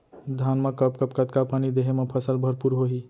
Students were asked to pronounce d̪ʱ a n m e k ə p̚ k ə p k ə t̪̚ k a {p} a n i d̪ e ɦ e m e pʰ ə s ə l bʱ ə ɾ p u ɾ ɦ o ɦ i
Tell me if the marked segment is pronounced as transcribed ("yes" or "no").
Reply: yes